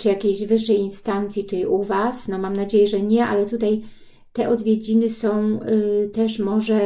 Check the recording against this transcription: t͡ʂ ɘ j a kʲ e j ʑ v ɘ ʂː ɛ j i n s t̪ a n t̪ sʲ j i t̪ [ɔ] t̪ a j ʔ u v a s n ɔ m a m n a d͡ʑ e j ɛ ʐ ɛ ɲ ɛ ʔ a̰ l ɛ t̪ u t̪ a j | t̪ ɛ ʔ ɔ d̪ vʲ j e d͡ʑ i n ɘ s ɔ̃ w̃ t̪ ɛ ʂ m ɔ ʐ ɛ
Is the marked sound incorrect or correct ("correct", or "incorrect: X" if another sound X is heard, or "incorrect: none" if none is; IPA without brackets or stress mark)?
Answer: incorrect: u